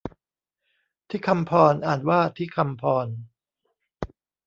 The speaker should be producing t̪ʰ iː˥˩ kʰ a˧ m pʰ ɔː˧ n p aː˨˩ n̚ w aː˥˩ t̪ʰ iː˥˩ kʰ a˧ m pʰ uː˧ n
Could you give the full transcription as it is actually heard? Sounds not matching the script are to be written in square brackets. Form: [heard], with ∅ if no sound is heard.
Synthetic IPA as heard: t̪ʰ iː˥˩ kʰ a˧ m pʰ ɔː˧ n [ʔ] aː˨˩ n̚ w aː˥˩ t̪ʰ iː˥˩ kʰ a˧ m pʰ [ɔː˧] n